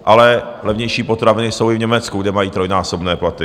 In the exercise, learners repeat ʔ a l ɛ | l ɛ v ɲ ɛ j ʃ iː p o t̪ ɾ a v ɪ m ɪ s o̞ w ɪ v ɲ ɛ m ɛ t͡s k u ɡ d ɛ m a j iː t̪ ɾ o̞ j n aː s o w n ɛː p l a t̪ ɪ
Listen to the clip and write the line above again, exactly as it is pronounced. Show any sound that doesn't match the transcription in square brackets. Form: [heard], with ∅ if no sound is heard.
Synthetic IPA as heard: ʔ a l ɛ | l ɛ v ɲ ɛ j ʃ iː p o t̪ ɾ a v ɪ [n] ɪ s o̞ w ɪ v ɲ ɛ m ɛ t͡s k u ɡ d ɛ m a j iː t̪ ɾ o̞ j n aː s o [b] n ɛː p l a t̪ ɪ